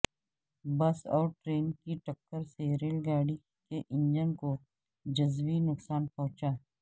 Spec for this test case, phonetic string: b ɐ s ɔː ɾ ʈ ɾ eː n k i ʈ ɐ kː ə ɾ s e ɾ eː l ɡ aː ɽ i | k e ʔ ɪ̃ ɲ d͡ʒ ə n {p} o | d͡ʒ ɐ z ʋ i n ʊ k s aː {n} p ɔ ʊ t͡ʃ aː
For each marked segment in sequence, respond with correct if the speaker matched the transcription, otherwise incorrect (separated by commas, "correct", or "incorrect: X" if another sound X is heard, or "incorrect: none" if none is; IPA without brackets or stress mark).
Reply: incorrect: k, correct